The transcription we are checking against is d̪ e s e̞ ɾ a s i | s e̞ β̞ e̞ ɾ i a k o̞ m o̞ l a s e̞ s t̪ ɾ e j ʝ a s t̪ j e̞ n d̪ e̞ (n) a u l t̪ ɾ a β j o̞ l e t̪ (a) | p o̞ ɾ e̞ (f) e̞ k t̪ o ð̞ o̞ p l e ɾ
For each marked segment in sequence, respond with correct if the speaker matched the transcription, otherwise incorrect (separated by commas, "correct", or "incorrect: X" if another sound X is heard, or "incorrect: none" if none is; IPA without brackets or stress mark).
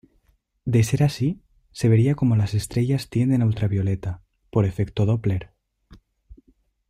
correct, correct, correct